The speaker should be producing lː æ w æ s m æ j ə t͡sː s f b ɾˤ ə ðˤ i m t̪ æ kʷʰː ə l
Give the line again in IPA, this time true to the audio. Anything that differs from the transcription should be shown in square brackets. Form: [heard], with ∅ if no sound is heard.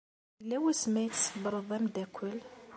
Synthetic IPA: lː æ w æ s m æ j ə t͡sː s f b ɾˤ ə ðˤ [æ] m [d̪] æ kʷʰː ə l